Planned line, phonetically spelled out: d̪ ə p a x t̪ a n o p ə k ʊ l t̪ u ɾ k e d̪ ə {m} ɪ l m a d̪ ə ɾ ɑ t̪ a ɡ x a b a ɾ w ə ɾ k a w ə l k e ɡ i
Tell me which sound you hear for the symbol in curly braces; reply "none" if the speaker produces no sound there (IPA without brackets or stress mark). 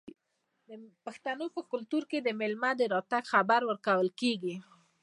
m